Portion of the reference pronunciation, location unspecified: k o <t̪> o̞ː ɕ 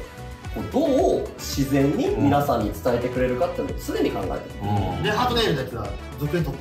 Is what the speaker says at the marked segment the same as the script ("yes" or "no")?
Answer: no